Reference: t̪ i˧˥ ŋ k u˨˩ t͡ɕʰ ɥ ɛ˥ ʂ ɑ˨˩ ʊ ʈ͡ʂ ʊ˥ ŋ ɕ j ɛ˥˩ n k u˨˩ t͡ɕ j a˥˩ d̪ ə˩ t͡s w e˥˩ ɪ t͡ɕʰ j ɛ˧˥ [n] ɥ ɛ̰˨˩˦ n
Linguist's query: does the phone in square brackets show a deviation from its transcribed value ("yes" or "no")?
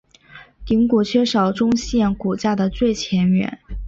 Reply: no